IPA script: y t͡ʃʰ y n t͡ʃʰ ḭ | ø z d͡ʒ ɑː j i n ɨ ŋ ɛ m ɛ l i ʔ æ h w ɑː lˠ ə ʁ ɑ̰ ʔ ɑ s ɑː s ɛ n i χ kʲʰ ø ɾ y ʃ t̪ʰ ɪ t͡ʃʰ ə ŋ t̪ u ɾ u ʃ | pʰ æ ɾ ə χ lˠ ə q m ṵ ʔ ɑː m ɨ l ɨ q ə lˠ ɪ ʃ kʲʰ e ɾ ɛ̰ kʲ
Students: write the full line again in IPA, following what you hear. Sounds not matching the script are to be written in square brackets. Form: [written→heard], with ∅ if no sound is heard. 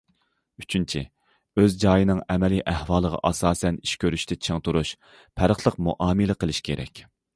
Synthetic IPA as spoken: y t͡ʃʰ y n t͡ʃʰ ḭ | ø z d͡ʒ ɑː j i n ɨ ŋ ɛ m ɛ l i ʔ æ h w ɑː lˠ ə ʁ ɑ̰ ʔ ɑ s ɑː s ɛ n i [χ→ʃ] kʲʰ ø ɾ y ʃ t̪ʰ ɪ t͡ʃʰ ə ŋ t̪ u ɾ u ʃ | pʰ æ ɾ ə χ lˠ ə q m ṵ ʔ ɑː m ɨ l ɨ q ə lˠ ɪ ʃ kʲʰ e ɾ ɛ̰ kʲ